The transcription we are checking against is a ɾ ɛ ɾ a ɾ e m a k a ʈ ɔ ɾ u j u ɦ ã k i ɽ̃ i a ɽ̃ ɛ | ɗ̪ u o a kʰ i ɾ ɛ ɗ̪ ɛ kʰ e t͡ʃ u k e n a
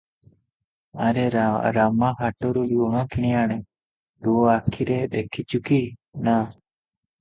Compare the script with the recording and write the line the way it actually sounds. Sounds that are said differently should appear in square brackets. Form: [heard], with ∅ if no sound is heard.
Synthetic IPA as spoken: a ɾ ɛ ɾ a ɾ [a] m a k a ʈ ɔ ɾ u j u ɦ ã k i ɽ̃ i a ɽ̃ ɛ | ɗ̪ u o a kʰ i ɾ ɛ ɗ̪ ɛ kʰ [i] t͡ʃ u k [i] n a